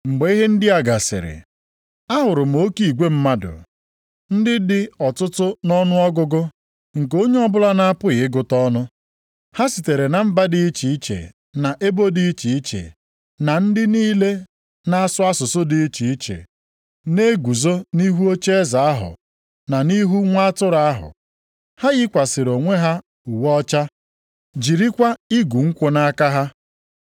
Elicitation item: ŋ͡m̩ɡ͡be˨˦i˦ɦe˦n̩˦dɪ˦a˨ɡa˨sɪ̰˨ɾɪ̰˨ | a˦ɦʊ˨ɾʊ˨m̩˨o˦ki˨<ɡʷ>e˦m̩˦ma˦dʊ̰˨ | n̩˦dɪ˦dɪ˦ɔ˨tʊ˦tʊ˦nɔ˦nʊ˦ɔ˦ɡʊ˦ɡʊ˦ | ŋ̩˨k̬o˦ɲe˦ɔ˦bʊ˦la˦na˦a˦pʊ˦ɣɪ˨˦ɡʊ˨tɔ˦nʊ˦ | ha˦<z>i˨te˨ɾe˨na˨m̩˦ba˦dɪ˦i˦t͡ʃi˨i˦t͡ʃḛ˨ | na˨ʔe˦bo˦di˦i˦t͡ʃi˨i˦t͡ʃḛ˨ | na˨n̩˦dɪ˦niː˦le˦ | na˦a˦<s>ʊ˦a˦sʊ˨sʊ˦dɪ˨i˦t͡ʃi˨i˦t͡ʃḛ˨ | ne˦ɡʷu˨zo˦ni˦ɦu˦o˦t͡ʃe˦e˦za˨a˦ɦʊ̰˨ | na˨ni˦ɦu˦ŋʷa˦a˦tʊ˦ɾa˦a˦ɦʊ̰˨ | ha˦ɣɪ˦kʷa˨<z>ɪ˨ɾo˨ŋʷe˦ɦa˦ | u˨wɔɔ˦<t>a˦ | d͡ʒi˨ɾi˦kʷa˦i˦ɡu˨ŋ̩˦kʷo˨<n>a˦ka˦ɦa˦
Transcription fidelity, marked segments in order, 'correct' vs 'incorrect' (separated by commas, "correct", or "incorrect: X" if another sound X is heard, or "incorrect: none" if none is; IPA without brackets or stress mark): correct, incorrect: s, correct, incorrect: s, incorrect: t͡ʃ, correct